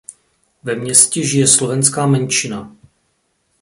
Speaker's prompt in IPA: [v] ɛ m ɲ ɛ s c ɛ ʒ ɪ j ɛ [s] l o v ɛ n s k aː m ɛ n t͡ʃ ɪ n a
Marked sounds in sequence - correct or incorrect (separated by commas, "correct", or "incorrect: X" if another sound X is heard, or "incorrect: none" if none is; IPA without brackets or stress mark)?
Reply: correct, correct